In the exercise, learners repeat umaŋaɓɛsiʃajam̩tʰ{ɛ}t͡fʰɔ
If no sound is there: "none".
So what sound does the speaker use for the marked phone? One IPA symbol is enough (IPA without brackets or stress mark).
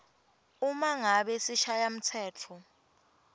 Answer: ɛː